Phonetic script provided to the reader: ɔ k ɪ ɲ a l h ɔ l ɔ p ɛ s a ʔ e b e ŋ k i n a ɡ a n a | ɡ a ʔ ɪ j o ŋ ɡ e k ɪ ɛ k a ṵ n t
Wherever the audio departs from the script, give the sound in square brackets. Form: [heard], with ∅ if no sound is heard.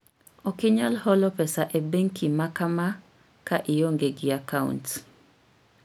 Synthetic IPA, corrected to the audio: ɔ k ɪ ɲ a l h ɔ l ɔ p ɛ s a ʔ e b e ŋ k i [m] a [k] a [m] a | [k] a ʔ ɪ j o ŋ ɡ e [ɡ] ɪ [a] k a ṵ n t